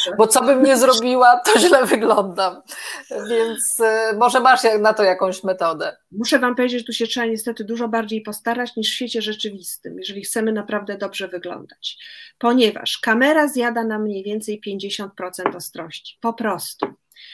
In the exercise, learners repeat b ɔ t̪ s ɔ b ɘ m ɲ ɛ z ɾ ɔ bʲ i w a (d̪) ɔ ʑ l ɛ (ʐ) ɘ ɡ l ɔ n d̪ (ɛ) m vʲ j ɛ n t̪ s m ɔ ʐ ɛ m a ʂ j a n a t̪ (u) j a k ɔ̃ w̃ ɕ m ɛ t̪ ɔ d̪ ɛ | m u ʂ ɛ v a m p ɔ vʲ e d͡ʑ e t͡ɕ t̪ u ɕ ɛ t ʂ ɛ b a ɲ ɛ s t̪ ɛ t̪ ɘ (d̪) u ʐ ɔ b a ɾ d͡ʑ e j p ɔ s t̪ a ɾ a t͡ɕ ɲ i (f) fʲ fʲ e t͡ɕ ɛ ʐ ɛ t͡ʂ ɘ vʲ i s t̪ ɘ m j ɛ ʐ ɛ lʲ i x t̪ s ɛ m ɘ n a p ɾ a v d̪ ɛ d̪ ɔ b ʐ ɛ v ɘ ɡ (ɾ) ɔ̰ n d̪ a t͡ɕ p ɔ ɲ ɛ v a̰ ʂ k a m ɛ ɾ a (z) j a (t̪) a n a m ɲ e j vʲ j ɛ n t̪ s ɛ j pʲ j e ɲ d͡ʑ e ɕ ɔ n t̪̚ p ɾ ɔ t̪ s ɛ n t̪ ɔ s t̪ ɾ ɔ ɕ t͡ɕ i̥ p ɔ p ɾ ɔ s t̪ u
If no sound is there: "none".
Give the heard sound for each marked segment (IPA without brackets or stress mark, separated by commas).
t̪, v, a, ɔ, d̪, ʂ, l, z, d̪